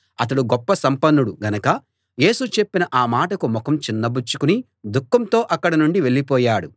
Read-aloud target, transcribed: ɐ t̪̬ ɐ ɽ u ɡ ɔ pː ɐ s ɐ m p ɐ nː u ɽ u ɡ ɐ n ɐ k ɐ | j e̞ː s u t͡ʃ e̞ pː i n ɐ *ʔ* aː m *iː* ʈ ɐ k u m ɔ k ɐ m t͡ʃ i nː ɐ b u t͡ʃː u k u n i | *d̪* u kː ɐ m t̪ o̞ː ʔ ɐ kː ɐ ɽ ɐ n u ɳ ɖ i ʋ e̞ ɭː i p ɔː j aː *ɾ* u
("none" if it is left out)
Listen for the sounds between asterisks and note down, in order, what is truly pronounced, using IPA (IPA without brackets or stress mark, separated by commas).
ʔ, aː, d̪, ɽ